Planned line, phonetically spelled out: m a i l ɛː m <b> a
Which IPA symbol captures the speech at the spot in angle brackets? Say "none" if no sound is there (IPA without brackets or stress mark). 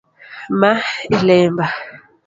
b